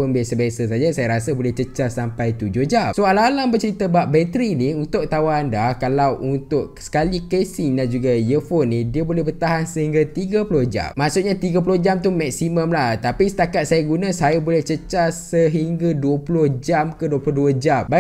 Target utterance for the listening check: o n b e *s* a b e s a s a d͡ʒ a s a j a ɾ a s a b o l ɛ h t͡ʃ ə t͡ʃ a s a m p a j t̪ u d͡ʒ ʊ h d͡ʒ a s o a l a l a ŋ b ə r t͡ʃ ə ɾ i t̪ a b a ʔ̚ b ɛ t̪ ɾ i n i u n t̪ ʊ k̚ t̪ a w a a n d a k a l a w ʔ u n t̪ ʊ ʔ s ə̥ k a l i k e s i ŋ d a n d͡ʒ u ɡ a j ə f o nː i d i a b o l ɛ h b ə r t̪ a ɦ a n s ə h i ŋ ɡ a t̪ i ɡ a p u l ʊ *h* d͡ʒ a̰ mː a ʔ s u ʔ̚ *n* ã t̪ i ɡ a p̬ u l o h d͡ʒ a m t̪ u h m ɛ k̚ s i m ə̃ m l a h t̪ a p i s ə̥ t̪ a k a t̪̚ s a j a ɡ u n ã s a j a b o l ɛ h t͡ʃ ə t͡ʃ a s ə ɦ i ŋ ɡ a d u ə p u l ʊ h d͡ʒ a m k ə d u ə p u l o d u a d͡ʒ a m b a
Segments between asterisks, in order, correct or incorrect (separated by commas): correct, correct, incorrect